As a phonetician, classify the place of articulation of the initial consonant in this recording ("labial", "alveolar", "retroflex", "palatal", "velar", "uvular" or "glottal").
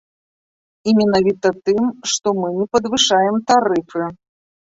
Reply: labial